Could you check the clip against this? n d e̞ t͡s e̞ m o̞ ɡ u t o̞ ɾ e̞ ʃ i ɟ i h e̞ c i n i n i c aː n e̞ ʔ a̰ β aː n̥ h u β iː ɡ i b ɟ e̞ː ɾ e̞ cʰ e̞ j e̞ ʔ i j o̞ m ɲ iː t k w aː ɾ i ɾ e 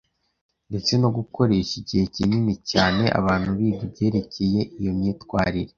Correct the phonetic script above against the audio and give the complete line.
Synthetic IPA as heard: n d e̞ t͡s e̞ n o̞ ɡ u k o̞ ɾ e̞ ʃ i ɟ i h e̞ c i n i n i c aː n e̞ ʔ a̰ β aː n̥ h u β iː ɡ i b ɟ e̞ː ɾ e̞ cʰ e̞ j e̞ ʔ i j o̞ m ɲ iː t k w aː ɾ i ɾ e